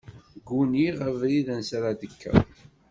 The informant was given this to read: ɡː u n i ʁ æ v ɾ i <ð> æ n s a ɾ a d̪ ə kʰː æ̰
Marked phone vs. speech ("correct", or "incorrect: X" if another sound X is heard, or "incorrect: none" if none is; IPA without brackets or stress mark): correct